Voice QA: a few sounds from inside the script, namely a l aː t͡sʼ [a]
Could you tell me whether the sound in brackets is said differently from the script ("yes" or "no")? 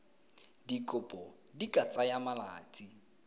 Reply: yes